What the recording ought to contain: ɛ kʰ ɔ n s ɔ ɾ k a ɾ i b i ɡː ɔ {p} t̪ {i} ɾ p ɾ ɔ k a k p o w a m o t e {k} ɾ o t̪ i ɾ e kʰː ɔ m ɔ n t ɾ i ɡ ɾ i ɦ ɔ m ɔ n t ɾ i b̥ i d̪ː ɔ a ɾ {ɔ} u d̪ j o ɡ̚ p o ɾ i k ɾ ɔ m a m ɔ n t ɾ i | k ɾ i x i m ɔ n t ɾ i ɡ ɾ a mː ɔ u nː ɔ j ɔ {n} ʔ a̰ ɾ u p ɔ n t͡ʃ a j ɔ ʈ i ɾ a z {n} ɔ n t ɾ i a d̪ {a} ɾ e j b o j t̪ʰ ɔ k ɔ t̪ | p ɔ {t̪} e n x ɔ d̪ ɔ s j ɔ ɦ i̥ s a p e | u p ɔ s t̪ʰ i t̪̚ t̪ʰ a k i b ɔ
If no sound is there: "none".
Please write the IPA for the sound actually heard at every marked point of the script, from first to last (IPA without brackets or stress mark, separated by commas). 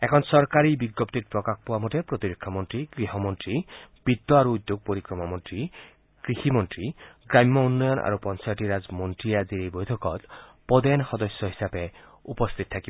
p, i, p, u, n, m, i, d̪